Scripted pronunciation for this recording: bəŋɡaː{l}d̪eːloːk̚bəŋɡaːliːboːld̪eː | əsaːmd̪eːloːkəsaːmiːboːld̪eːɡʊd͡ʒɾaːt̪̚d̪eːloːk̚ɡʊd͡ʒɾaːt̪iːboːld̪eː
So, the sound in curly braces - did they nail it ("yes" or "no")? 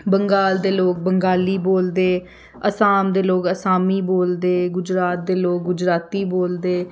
yes